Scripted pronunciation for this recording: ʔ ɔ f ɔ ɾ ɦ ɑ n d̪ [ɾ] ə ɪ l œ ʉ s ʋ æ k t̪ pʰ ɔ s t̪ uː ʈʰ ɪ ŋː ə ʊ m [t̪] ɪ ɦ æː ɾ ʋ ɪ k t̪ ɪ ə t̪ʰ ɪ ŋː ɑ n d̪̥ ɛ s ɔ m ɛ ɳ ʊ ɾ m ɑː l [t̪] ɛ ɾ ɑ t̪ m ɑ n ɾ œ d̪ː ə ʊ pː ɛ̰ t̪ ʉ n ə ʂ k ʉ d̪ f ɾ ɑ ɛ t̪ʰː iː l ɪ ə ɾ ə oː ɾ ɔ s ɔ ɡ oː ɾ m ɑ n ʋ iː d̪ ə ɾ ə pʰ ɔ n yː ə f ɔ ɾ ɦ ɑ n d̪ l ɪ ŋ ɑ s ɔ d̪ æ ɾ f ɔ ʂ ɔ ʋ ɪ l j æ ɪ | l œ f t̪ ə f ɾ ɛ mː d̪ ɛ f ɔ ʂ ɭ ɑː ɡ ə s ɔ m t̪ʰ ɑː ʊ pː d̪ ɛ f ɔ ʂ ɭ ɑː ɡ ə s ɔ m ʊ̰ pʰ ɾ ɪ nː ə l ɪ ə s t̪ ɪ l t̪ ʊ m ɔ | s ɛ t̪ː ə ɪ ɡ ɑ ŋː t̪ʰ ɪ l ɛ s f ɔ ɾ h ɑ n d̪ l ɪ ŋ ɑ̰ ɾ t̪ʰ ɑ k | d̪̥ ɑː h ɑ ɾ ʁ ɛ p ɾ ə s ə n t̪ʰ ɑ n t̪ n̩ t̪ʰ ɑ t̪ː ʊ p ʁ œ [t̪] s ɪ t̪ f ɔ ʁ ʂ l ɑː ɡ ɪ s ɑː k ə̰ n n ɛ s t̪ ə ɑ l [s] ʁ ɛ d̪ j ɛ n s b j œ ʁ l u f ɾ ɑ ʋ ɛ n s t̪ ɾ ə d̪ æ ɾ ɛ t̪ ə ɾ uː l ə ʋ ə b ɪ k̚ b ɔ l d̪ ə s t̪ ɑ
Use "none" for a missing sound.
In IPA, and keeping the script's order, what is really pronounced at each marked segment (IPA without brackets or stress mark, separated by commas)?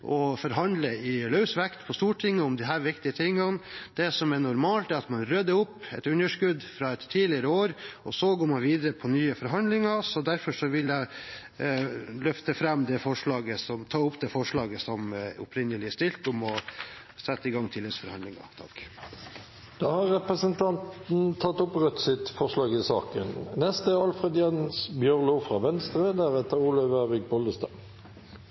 l, d̪, t̪, t̪, f